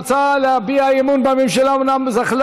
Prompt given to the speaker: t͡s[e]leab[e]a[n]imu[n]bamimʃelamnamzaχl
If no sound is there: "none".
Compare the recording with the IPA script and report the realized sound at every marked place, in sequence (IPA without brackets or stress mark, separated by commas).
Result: a, i, none, n